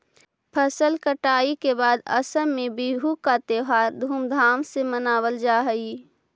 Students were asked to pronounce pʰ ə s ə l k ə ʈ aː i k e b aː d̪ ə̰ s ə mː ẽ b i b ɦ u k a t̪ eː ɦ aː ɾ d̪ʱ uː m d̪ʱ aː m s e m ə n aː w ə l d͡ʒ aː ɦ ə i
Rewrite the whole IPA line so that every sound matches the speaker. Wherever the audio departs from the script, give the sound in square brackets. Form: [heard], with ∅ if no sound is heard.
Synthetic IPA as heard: pʰ ə s ə l k ə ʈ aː i k e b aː d̪ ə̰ s ə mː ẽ b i [∅] ɦ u k a t̪ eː ɦ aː ɾ d̪ʱ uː m d̪ʱ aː m s e m ə n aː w ə l d͡ʒ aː ɦ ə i